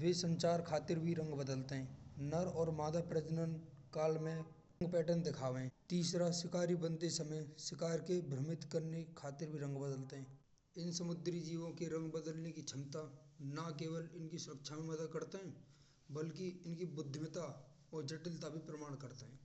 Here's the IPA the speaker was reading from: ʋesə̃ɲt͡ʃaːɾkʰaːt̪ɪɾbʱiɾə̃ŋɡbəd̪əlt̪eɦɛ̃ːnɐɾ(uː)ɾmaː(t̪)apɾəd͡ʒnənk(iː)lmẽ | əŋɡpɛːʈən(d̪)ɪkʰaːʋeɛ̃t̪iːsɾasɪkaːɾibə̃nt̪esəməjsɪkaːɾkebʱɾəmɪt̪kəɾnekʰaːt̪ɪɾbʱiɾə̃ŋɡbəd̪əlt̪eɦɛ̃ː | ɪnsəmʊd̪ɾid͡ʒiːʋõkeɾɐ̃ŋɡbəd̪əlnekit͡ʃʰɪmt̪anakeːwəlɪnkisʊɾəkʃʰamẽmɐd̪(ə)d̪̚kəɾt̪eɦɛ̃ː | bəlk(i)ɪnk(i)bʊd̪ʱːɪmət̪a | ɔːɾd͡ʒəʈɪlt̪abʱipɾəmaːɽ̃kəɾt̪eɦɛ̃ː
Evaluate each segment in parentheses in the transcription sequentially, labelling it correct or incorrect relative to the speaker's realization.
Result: incorrect, incorrect, incorrect, correct, correct, correct, correct

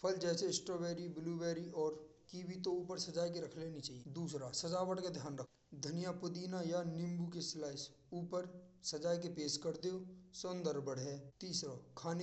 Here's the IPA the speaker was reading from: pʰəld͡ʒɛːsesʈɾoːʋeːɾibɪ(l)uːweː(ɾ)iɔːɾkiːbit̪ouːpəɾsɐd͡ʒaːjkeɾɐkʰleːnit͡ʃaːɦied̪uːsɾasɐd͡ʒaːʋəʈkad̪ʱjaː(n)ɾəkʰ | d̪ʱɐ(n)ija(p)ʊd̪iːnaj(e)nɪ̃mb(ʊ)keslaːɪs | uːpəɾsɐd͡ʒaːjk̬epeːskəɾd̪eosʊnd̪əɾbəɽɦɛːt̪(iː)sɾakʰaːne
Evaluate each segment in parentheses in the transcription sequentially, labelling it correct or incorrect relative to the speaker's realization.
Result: correct, correct, correct, correct, correct, incorrect, incorrect, correct

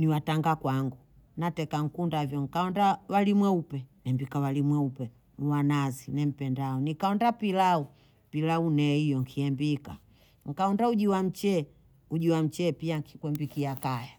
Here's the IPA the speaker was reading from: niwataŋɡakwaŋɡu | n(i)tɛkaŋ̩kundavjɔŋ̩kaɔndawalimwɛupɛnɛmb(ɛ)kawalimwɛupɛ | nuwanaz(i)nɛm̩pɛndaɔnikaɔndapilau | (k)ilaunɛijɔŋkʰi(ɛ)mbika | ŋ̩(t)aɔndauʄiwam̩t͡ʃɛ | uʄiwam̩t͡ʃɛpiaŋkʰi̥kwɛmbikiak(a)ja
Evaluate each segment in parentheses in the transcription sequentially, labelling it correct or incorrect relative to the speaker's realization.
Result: incorrect, incorrect, correct, incorrect, correct, incorrect, correct

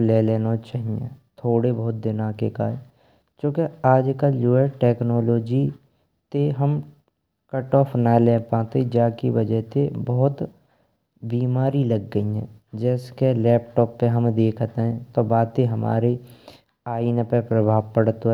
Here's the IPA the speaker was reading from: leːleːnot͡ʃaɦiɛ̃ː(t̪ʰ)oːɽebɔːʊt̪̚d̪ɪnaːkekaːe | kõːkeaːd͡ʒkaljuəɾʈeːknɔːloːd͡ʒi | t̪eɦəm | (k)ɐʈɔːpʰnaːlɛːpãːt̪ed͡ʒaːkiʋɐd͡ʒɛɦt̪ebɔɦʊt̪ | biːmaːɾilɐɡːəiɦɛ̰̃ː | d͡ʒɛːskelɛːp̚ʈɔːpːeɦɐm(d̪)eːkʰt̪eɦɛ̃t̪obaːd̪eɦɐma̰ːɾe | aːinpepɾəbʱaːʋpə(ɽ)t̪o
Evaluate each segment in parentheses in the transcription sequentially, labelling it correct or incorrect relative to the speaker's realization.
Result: correct, correct, correct, correct

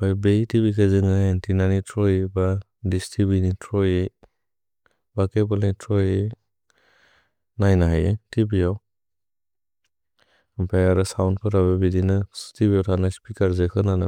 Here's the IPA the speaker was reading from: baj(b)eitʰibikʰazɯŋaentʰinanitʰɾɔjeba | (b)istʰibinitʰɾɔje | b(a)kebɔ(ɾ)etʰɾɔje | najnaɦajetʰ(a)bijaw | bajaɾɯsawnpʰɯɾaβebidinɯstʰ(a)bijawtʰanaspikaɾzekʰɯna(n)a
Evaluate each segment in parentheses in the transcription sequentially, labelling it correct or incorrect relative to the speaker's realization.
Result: correct, incorrect, correct, incorrect, incorrect, incorrect, correct

